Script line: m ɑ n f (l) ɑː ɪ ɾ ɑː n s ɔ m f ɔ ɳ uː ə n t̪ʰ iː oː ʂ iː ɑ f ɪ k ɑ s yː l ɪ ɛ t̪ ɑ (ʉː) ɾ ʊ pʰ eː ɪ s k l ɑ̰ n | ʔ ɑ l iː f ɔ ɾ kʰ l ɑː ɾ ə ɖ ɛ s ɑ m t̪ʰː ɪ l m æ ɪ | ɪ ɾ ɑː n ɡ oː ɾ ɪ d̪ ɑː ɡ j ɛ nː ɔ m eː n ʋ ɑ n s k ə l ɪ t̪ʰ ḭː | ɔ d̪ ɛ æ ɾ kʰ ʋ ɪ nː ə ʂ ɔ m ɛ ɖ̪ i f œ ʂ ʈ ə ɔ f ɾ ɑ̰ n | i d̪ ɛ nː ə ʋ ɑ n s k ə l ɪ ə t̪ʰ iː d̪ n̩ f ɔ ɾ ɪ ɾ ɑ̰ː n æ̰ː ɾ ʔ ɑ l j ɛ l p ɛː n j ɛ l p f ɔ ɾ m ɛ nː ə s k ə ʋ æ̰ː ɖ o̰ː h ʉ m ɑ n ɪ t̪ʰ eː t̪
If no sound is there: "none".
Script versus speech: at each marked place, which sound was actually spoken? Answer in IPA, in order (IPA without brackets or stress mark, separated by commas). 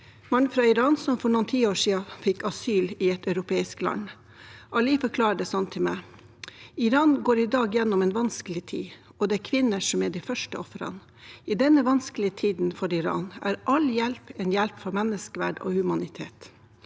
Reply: ɾ, ʉ